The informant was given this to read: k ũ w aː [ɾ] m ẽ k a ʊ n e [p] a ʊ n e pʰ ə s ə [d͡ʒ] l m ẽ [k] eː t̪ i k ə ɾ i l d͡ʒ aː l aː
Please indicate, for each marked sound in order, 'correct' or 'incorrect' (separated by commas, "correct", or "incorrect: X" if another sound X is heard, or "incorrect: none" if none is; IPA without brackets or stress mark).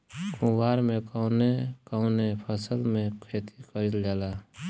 correct, incorrect: k, incorrect: none, incorrect: kʰ